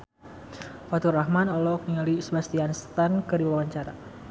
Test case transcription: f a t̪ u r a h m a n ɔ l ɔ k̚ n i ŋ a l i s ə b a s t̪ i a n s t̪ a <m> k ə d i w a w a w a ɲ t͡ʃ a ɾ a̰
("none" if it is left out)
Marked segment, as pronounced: n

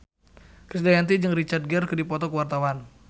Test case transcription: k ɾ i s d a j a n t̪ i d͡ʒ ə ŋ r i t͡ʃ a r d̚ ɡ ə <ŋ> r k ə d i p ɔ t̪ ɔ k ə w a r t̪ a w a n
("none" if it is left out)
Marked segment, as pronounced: none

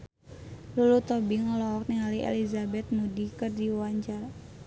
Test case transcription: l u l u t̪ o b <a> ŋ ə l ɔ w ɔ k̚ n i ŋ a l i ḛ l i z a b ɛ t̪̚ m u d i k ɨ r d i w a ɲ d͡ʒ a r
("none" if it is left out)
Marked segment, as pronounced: i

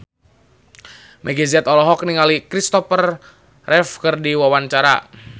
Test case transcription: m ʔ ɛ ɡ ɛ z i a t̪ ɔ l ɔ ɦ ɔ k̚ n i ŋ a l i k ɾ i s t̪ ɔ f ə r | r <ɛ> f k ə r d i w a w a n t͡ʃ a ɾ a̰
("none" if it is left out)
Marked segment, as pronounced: ɛ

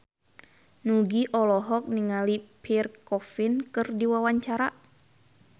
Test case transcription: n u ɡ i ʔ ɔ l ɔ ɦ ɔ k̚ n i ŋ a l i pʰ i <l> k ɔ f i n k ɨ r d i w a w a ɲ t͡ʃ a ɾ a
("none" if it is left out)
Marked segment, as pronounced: r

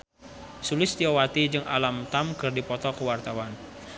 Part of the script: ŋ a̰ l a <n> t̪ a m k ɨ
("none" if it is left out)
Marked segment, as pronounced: m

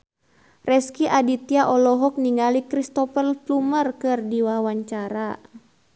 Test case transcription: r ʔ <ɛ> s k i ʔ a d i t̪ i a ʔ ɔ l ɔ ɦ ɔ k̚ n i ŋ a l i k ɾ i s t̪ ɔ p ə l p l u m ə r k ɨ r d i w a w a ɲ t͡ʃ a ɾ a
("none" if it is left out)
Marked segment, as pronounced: ɛ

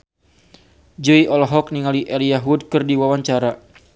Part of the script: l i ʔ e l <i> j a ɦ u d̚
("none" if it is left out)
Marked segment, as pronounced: i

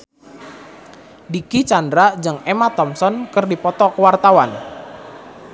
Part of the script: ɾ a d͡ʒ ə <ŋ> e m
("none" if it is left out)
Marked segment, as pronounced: ŋ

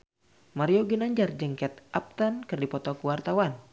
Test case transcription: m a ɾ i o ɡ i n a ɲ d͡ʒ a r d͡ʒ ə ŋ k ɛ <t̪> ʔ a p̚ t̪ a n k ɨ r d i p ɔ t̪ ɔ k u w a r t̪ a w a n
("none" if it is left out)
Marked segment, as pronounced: t̪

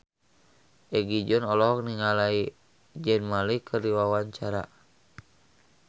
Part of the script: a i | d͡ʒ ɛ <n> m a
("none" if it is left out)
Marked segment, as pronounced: n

